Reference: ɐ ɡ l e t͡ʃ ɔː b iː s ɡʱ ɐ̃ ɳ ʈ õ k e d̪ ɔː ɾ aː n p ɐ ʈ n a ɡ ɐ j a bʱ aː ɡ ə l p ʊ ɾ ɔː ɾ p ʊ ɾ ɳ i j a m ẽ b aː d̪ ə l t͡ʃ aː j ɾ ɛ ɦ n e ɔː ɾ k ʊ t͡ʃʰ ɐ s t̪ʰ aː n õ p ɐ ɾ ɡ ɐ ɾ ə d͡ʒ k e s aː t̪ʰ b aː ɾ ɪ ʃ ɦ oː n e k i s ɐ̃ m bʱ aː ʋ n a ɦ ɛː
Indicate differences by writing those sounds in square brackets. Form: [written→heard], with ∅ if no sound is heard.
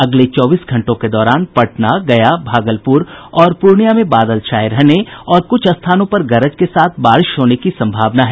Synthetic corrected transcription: ɐ ɡ l e t͡ʃ ɔː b iː s ɡʱ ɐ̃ ɳ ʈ õ k e d̪ ɔː ɾ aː n p ɐ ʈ n a ɡ ɐ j a bʱ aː ɡ ə l p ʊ ɾ ɔː ɾ p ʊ ɾ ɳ i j a m ẽ b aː d̪ ə l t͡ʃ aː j ɾ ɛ ɦ n e ɔː ɾ k ʊ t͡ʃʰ ɐ s t̪ʰ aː n õ p ɐ ɾ ɡ ɐ ɾ ə d͡ʒ k e s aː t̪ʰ b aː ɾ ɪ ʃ ɦ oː n e k i s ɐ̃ m bʱ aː ʋ n a ɦ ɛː